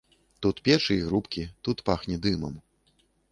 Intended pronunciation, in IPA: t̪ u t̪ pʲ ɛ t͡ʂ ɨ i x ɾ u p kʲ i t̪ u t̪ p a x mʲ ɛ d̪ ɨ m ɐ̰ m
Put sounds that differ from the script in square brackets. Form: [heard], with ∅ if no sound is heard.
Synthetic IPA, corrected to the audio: t̪ u t̪ pʲ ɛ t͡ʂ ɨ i [ɣ] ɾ u p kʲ i t̪ u t̪ p a x [nʲ] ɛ d̪ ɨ m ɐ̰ m